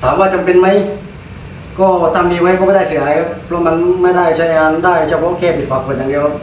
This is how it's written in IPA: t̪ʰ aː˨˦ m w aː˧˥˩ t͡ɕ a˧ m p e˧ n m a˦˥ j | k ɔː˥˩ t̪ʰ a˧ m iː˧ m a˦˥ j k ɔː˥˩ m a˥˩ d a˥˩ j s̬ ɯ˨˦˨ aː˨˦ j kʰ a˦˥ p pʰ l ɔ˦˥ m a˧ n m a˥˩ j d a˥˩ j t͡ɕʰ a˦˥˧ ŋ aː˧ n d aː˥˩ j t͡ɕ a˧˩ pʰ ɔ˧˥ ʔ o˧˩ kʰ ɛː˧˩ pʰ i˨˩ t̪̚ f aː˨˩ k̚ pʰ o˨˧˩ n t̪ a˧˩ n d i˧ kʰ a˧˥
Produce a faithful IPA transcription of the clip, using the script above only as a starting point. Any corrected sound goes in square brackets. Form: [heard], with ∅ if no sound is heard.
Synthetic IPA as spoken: t̪ʰ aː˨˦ m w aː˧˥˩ t͡ɕ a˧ m p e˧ n m a˦˥ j | k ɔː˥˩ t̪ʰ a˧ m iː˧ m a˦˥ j k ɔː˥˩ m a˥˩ d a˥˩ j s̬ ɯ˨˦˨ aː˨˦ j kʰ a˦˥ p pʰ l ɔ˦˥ m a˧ n m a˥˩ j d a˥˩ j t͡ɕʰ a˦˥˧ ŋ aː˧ n d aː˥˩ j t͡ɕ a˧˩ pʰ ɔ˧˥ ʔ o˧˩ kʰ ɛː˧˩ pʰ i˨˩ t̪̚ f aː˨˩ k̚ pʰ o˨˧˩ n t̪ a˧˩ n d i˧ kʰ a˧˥